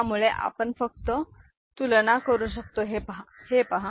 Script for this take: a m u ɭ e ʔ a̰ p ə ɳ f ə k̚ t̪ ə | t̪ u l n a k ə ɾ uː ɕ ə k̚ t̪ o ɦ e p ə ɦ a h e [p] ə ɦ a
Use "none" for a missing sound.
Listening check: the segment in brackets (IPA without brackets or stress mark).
p